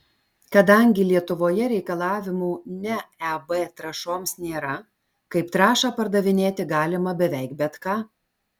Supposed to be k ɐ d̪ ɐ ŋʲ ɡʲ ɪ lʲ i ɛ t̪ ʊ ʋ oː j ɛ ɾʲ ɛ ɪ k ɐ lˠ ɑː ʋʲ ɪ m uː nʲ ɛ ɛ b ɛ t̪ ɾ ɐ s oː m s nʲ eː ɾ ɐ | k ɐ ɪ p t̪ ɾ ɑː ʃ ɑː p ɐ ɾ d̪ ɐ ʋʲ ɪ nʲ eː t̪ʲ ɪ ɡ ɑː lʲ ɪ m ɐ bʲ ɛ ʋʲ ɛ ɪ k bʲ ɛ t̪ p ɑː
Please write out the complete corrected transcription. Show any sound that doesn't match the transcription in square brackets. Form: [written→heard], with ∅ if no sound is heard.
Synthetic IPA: k ɐ d̪ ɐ ŋʲ ɡʲ ɪ lʲ i ɛ t̪ ʊ ʋ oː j ɛ ɾʲ ɛ ɪ k ɐ lˠ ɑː ʋʲ ɪ m uː nʲ ɛ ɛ b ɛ t̪ ɾ ɐ [s→ʃ] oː m s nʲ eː ɾ ɐ | k ɐ ɪ p t̪ ɾ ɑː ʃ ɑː p ɐ ɾ d̪ ɐ ʋʲ ɪ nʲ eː t̪ʲ ɪ ɡ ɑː lʲ ɪ m ɐ bʲ ɛ ʋʲ ɛ ɪ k bʲ ɛ t̪ [p→k] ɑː

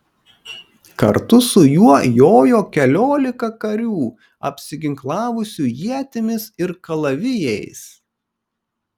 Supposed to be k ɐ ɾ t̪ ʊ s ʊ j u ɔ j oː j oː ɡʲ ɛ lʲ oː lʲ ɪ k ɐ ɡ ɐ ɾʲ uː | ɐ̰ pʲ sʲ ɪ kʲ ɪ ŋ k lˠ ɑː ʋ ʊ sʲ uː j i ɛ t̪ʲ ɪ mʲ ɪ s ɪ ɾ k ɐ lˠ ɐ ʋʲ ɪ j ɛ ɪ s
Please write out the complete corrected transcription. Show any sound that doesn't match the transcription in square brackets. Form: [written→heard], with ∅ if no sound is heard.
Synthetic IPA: k ɐ ɾ t̪ ʊ s ʊ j u ɔ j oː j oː [ɡʲ→kʲ] ɛ lʲ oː lʲ ɪ k ɐ [ɡ→k] ɐ ɾʲ uː | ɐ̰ pʲ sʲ ɪ [kʲ→ɡʲ] ɪ ŋ k lˠ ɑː ʋ ʊ sʲ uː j i ɛ t̪ʲ ɪ mʲ ɪ s ɪ ɾ k ɐ lˠ ɐ ʋʲ ɪ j ɛ ɪ s

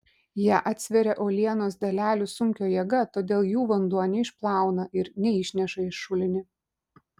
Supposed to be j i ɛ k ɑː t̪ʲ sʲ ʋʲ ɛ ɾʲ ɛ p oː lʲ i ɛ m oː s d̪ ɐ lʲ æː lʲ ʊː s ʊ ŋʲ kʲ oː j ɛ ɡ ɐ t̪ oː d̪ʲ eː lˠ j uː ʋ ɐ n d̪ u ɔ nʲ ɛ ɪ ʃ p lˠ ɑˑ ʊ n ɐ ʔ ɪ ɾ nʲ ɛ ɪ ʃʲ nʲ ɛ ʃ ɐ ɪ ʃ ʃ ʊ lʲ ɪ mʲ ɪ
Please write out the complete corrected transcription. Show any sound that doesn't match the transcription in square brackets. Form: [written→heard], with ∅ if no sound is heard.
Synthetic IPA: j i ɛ [k→ʔ] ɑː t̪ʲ sʲ ʋʲ ɛ ɾʲ ɛ [p→ʔ] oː lʲ i ɛ [m→n] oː s d̪ ɐ lʲ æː lʲ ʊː s ʊ ŋʲ kʲ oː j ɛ ɡ ɐ t̪ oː d̪ʲ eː lˠ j uː ʋ ɐ n d̪ u ɔ nʲ ɛ ɪ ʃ p lˠ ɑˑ ʊ n ɐ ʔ ɪ ɾ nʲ ɛ ɪ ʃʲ nʲ ɛ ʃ ɐ ɪ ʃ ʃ ʊ lʲ ɪ [mʲ→nʲ] ɪ

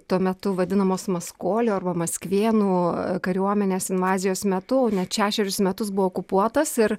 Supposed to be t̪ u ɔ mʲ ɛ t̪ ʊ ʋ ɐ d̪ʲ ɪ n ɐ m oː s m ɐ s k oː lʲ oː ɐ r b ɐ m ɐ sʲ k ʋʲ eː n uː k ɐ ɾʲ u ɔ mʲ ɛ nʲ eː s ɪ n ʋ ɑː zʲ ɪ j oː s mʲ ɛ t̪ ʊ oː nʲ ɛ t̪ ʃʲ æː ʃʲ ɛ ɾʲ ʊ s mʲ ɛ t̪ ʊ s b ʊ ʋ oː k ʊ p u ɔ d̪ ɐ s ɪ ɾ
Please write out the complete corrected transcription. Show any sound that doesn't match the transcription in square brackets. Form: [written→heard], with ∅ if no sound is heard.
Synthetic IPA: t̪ u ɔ mʲ ɛ t̪ ʊ ʋ ɐ d̪ʲ ɪ n ɐ m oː s m ɐ s k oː lʲ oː ɐ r b ɐ m ɐ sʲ k ʋʲ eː n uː k ɐ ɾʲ u ɔ mʲ ɛ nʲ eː s ɪ n ʋ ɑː zʲ ɪ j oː s mʲ ɛ t̪ ʊ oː nʲ ɛ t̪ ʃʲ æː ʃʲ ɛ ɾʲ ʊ s mʲ ɛ t̪ ʊ s b ʊ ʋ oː k ʊ p u ɔ [d̪→t̪] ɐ s ɪ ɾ

